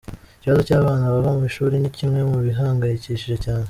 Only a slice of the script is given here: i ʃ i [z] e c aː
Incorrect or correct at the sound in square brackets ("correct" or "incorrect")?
incorrect